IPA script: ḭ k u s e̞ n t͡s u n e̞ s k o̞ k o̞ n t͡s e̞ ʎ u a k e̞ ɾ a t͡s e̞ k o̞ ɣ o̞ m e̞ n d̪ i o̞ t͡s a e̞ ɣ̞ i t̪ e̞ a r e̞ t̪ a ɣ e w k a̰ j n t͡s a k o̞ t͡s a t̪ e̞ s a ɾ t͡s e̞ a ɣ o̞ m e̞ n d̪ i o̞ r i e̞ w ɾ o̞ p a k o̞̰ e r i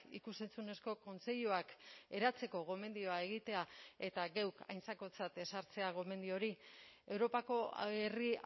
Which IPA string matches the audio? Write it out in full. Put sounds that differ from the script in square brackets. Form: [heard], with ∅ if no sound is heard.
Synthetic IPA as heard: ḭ k u s e̞ n t͡s u n e̞ s k o̞ k o̞ n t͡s e̞ ʎ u a k e̞ ɾ a t͡s e̞ k o̞ ɣ o̞ m e̞ n d̪ i o̞ [∅] a e̞ ɣ̞ i t̪ e̞ a [∅] e̞ t̪ a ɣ e w k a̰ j n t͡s a k o̞ t͡s a t̪ e̞ s a ɾ t͡s e̞ a ɣ o̞ m e̞ n d̪ i o̞ [ɾ] i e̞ w ɾ o̞ p a k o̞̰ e r i